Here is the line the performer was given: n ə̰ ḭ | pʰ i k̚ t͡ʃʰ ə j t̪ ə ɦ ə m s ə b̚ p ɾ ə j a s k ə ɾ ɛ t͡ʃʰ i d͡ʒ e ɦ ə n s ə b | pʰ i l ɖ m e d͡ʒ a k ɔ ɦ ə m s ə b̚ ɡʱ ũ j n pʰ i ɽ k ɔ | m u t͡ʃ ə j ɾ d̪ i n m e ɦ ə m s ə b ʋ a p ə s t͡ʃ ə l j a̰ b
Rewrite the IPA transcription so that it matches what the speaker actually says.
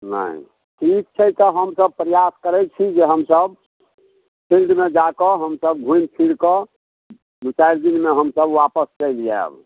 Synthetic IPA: n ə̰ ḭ | ʈʰ i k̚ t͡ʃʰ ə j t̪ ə ɦ ə m s ə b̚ p ɾ ə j a s k ə ɾ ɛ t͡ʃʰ i d͡ʒ e ɦ ə m s ə b | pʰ i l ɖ m e d͡ʒ a k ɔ ɦ ə m s ə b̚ ɡʱ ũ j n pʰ i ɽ k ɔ | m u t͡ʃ a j ɾ d̪ i n m e ɦ ə m s ə b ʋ a p ə s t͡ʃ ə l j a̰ b